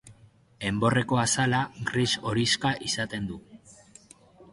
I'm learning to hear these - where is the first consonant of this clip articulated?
lips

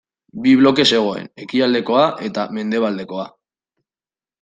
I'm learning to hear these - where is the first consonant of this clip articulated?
lips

